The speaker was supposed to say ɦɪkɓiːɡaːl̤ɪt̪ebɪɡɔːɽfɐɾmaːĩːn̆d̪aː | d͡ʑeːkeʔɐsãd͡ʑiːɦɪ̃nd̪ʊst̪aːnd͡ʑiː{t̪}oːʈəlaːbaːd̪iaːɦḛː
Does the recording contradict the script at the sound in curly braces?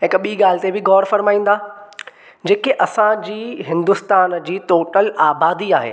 no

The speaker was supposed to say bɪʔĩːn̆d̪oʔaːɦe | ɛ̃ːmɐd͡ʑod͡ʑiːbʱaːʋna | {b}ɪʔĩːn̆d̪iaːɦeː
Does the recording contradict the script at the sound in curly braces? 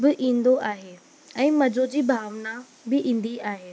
no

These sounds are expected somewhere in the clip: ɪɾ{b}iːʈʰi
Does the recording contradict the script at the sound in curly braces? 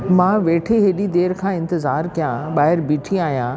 no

